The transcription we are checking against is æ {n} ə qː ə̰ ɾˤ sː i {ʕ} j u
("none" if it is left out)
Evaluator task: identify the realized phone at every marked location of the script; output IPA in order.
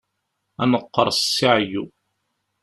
n, ʕ

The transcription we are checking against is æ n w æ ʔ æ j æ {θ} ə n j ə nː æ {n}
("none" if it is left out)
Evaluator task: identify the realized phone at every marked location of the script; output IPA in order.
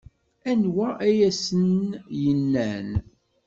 s, n

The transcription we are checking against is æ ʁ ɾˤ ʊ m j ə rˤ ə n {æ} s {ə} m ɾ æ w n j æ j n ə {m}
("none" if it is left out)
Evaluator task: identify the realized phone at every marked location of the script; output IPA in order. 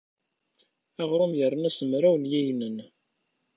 æ, ə, n

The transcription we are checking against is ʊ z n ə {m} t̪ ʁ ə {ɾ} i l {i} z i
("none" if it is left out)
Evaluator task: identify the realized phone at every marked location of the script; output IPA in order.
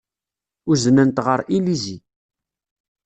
n, ɾ, i

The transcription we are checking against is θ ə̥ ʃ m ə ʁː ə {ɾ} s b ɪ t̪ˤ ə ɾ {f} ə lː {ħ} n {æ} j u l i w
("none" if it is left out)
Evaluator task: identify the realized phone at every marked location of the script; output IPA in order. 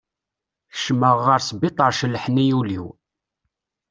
ɾ, ʃ, ħ, i

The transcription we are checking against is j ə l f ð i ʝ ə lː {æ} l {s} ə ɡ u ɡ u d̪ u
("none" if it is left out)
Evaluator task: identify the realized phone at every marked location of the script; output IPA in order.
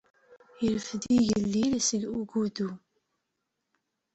i, s

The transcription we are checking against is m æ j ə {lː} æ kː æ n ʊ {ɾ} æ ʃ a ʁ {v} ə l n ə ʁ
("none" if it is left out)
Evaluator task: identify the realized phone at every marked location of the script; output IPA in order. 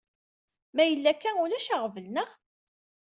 lː, l, v

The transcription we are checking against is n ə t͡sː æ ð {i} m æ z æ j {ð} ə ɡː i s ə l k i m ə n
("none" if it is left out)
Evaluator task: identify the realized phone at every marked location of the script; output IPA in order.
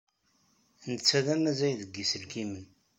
æ, ð

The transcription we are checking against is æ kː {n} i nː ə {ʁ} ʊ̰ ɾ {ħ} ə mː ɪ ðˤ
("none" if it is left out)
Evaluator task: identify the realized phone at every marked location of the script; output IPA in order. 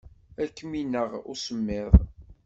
m, ʁ, s

